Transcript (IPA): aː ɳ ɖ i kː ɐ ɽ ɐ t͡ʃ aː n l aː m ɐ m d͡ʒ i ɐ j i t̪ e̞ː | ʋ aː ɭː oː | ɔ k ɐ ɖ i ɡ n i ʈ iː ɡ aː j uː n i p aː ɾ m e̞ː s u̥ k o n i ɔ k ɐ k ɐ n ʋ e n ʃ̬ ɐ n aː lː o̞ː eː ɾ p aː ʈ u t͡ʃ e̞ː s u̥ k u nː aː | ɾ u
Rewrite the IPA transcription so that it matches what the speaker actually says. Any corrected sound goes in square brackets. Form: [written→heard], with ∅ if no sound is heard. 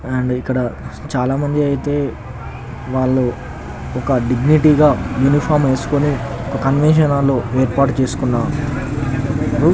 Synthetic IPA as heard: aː ɳ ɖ i kː ɐ ɽ ɐ t͡ʃ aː [n→∅] l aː m ɐ [m→ɲ] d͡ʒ i ɐ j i t̪ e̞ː | ʋ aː ɭː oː | ɔ k ɐ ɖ i ɡ n i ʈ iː ɡ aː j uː n i [p→pʰ] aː ɾ m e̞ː s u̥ k o n i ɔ k ɐ k ɐ n ʋ e n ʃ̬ ɐ n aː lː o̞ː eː ɾ p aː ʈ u t͡ʃ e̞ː s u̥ k u nː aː | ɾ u